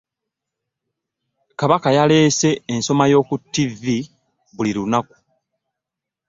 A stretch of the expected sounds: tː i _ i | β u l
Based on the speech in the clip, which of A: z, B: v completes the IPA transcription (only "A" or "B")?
B